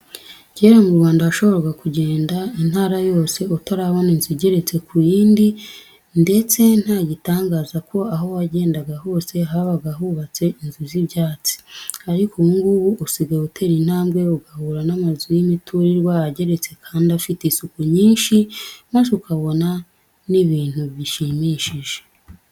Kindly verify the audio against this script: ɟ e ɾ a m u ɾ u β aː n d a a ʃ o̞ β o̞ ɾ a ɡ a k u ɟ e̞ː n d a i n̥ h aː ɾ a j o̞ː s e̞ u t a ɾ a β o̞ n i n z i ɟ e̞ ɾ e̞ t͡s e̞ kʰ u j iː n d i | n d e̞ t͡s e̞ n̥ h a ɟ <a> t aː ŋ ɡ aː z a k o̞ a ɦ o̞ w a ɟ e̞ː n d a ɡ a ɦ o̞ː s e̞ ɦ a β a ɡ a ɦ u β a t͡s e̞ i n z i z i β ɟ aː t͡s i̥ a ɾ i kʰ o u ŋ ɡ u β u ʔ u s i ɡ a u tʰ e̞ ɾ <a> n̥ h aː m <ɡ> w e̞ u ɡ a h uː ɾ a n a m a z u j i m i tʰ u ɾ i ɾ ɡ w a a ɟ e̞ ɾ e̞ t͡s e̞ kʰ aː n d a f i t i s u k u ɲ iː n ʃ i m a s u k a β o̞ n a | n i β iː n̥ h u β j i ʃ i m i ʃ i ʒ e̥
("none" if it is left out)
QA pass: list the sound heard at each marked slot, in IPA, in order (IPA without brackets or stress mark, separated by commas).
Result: i, i, ɡ